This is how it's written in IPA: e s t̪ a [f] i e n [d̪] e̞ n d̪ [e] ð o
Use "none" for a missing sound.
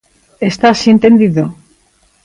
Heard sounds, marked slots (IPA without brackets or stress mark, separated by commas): s, t̪, i